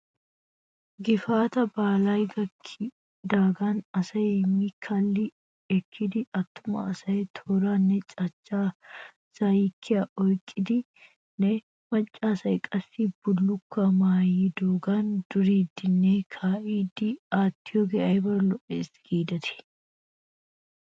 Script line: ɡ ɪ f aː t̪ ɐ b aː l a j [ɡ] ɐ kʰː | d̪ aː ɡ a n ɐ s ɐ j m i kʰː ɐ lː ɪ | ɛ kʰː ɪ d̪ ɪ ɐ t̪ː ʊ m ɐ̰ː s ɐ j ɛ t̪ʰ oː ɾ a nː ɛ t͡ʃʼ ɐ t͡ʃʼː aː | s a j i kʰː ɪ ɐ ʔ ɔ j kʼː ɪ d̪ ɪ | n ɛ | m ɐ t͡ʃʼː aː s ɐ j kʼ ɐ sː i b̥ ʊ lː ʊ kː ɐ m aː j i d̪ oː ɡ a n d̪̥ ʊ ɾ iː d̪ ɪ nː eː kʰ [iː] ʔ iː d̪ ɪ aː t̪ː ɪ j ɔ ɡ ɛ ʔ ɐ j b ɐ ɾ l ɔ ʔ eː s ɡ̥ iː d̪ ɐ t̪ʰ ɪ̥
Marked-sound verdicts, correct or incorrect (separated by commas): correct, incorrect